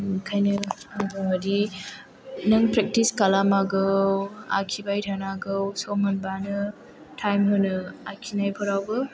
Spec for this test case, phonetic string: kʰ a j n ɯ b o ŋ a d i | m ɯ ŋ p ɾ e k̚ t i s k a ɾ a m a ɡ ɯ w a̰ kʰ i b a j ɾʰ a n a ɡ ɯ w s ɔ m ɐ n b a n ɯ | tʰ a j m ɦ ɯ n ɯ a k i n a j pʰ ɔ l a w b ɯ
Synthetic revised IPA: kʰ a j n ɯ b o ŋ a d i | n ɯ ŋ p ɾ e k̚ t i s k a l a m a ɡ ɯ w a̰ kʰ i b a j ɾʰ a n a ɡ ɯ w s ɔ m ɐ n b a n ɯ | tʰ a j m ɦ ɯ n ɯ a kʰ i n a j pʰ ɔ ɾ a w b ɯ